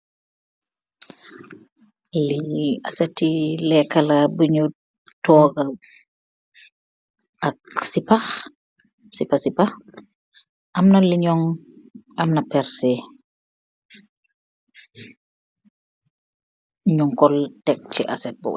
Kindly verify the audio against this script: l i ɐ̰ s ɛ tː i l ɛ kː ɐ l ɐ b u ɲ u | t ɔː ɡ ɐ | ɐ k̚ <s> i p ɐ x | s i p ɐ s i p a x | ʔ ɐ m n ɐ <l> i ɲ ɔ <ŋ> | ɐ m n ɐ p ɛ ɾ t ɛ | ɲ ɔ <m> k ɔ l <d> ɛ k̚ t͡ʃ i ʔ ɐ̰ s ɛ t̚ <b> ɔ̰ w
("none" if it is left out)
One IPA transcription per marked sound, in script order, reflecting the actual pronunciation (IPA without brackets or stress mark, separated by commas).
s, l, ŋ, ŋ, t, b